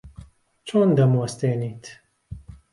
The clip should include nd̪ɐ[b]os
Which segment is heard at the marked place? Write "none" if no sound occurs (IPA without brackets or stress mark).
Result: m